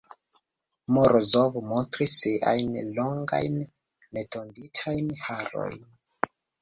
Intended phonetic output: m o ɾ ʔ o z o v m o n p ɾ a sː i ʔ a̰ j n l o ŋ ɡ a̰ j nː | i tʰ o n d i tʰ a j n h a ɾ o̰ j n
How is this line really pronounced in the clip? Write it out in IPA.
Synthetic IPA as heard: m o ɾ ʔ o z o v m o n t ɾ i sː i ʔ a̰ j n l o ŋ ɡ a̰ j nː | e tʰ o n d i tʰ a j n h a ɾ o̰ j n